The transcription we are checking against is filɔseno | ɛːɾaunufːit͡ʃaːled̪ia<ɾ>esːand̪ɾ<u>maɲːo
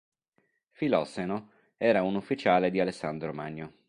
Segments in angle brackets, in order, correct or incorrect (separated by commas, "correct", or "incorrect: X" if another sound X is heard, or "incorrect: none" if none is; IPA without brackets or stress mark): incorrect: l, incorrect: o